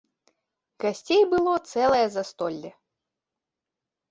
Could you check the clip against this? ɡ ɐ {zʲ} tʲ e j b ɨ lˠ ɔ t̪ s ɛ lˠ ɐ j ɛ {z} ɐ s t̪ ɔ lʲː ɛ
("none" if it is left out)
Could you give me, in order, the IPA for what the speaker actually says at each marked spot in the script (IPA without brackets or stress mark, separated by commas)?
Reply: sʲ, z